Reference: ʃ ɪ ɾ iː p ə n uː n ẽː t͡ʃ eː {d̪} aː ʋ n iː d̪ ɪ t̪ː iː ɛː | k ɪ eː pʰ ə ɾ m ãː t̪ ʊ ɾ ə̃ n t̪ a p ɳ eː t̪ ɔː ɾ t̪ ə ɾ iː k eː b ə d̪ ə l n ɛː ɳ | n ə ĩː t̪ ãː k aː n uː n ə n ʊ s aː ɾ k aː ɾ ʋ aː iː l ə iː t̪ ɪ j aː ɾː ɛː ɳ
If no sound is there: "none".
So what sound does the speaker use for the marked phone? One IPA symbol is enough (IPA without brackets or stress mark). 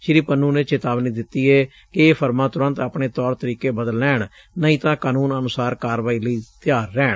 t̪